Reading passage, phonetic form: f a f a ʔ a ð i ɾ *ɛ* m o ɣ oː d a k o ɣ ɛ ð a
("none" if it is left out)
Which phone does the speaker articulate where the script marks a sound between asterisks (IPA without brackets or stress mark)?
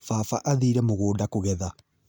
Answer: ɛ